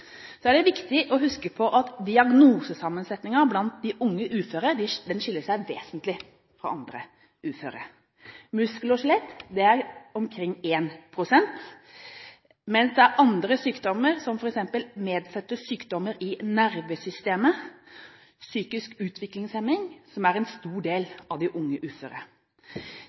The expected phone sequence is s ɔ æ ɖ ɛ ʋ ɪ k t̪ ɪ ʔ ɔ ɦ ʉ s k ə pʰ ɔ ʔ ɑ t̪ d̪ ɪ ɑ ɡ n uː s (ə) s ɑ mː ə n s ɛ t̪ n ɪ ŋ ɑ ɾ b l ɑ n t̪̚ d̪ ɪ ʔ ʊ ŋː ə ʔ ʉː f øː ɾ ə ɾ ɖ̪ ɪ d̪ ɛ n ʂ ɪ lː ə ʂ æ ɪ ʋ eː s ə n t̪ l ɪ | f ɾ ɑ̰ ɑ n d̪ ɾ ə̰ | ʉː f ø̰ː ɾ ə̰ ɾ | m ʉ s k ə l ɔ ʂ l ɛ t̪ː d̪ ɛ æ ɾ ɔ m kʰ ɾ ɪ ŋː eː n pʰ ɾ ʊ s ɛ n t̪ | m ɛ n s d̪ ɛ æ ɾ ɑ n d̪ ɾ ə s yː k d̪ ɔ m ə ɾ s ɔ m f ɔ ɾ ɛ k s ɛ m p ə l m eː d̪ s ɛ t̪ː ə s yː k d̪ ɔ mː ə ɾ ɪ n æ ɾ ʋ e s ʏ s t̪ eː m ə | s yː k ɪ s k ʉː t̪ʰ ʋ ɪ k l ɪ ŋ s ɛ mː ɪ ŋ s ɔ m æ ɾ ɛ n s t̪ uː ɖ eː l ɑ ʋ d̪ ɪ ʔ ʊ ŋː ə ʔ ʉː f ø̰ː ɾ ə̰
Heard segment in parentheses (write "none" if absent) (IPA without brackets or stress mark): ə